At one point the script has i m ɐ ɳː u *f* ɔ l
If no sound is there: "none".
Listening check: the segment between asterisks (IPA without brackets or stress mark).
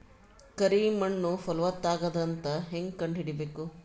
f